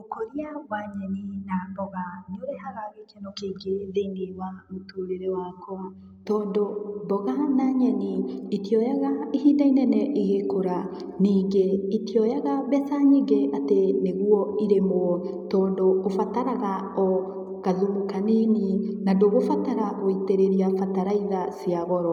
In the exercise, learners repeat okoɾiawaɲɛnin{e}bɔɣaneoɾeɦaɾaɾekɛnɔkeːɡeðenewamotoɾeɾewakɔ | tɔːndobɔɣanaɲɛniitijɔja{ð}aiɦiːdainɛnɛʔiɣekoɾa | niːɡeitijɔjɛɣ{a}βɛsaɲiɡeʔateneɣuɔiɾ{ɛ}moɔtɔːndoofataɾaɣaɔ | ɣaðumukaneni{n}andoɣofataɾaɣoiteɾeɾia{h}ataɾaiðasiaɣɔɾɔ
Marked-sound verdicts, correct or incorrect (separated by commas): incorrect, incorrect, correct, incorrect, correct, incorrect